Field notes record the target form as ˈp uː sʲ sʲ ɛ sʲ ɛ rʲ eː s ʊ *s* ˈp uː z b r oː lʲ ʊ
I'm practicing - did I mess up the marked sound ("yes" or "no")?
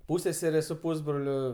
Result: yes